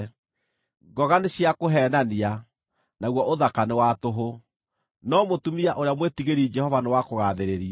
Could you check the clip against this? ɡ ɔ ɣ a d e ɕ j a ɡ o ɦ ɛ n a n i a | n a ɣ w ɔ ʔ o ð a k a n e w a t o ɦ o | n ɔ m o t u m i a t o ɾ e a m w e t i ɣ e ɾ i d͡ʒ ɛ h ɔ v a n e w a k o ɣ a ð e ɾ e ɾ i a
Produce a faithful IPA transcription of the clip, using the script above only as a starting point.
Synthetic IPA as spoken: ɡ ɔ ɣ a n e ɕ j a k o ɦ ɛ n a n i a | n a ɣ w ɔ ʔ o ð a k a n e w a t o ɦ o | n ɔ m o t u m i a ʔ o ɾ e a m w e t i ɣ e ɾ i d͡ʒ ɛ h ɔ v a n e w a k o ɣ a ð e ɾ e ɾ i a

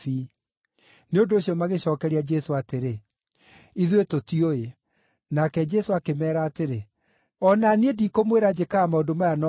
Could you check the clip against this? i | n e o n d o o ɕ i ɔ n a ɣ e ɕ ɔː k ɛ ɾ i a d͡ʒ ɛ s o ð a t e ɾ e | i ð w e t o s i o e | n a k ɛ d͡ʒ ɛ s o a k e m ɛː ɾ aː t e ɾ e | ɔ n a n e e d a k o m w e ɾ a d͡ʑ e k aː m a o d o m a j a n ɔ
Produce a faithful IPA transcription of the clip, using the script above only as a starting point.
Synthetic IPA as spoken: i | n e o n d o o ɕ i ɔ m a ɣ e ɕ ɔː k ɛ ɾ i a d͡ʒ ɛ s o a t e ɾ e | i ð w e t o t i o e | n a k ɛ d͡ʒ ɛ s o a k e m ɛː ɾ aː t e ɾ e | ɔ n a n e e d i k o m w e ɾ a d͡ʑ e k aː m a o d o m a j a n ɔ

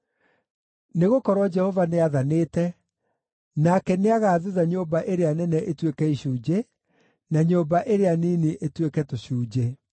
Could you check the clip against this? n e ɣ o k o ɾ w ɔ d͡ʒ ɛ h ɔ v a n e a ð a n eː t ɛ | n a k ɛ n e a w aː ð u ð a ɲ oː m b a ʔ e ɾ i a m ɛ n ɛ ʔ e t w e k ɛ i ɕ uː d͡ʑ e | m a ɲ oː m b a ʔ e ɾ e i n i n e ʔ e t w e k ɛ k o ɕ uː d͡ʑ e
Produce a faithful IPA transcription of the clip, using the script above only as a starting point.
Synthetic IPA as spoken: n e ɣ o k ɔ ɾ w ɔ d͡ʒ ɛ h ɔ v a n e a ð a n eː t ɛ | n a k ɛ n e a ɣ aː ð u ð a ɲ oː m b a ʔ e ɾ e a n ɛ n ɛ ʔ e t w e k ɛ i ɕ uː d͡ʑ e | n a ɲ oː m b a ʔ e ɾ e a n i n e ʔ e t w e k ɛ t o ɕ uː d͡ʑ e

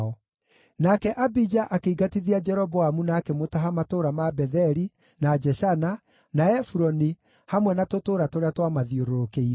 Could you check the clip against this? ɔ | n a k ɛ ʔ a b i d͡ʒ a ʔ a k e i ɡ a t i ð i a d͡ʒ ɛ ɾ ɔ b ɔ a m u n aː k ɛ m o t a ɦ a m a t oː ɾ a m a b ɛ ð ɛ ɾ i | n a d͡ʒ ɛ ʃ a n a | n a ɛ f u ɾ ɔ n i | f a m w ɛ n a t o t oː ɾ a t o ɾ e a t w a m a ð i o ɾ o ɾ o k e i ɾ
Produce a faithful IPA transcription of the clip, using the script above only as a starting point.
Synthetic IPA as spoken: ɔ | n a k ɛ ʔ a b i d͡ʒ a ʔ a k e i ɡ a t i ð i a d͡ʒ ɛ ɾ ɔ b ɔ a m u n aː k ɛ m o t a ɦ a m a t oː ɾ a m a b ɛ ð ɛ ɾ i | n a d͡ʒ ɛ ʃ a n a | n a ɛ f u ɾ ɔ n i | h a m w ɛ n a t o t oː ɾ a t o ɾ e a t w a m a ð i o ɾ o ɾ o k e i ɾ

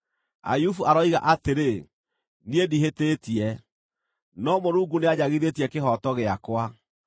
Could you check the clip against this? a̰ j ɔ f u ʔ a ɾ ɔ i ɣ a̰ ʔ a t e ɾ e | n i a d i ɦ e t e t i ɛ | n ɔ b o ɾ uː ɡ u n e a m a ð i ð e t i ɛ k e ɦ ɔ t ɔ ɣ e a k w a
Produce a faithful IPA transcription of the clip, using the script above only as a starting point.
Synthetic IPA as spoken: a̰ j u f u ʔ a ɾ ɔ i ɣ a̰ ʔ a t e ɾ e | n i e d i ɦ e t e t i ɛ | n ɔ m o ɾ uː ɡ u n e a ɲ a ɣ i ð e t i ɛ k e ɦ ɔ t ɔ ɣ e a k w a

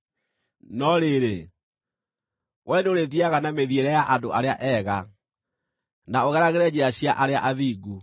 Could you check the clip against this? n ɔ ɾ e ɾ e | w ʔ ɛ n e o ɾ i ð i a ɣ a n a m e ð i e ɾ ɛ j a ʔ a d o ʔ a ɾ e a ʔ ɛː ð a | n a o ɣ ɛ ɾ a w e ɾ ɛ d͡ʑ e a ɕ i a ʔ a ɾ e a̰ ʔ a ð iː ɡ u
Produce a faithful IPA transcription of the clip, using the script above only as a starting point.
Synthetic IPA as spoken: n ɔ ɾ e ɾ e | w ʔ ɛ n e o ɾ e ð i a ɣ a n a m e ð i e ɾ ɛ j a ʔ a d o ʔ a ɾ e a ʔ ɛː ɣ a | n a o ɣ ɛ ɾ a ɣ e ɾ ɛ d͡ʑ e a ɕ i a ʔ a ɾ e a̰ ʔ a ð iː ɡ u

